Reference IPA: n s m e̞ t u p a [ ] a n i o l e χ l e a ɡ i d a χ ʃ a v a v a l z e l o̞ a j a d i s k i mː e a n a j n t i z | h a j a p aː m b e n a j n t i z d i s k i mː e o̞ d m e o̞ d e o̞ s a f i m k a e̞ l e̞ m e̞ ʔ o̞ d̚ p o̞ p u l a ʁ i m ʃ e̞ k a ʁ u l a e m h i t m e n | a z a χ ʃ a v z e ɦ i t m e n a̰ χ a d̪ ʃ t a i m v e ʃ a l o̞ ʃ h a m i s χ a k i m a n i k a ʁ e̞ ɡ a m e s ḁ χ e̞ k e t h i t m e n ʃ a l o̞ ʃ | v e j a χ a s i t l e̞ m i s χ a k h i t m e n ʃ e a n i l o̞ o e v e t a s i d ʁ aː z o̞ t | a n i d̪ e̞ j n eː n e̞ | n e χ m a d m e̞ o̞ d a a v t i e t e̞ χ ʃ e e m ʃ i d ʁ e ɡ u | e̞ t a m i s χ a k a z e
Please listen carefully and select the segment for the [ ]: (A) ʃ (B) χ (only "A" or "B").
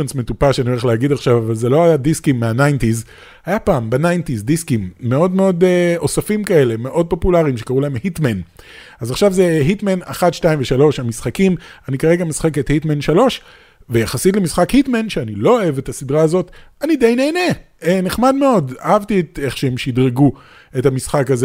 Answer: A